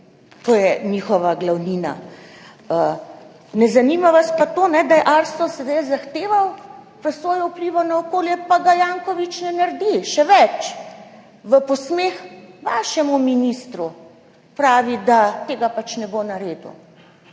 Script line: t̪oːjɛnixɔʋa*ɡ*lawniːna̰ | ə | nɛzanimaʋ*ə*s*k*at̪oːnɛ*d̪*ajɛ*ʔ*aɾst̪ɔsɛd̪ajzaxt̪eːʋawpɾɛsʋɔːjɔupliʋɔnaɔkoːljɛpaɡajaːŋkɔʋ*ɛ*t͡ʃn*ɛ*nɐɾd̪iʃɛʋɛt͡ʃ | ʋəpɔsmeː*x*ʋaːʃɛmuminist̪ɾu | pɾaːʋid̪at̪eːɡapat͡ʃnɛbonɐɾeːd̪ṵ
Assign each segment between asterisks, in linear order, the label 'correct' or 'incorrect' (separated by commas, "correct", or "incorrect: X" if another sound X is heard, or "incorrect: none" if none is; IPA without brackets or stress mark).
correct, incorrect: a, incorrect: p, correct, correct, incorrect: i, correct, correct